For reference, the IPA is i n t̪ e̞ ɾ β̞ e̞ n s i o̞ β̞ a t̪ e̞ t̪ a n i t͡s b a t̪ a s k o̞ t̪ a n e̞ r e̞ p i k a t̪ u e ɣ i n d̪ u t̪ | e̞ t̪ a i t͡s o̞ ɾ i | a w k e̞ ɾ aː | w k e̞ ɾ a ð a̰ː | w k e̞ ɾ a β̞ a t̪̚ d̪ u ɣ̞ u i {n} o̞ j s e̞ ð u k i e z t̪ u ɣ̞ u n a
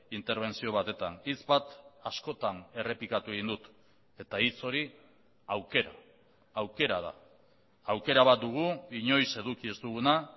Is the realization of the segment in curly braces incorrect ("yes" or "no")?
yes